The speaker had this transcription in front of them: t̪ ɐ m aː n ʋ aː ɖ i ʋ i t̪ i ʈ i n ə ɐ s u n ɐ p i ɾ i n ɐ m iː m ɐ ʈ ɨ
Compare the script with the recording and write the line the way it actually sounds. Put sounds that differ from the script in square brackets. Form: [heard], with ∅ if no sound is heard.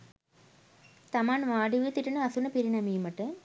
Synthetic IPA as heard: t̪ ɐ m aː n ʋ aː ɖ i ʋ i t̪ i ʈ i n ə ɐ s u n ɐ p i ɾ i n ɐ m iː m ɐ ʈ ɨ